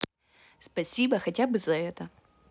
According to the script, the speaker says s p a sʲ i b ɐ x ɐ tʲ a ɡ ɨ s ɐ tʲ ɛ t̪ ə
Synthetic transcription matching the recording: s p ɐ sʲ i b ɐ x ɐ tʲ a b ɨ z ɐ ɛ t̪ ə